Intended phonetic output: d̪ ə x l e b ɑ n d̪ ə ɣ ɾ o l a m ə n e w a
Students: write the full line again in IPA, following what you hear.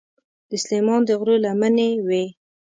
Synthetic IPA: d̪ ə s l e m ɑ n d̪ ə ɣ ɾ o l a m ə n e w e